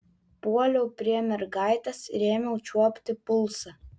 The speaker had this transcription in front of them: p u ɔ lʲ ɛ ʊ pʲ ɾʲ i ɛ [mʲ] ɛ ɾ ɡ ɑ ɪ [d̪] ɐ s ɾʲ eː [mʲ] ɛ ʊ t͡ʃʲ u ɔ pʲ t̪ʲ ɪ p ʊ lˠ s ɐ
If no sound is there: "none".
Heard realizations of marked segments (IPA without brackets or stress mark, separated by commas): mʲ, t̪, mʲ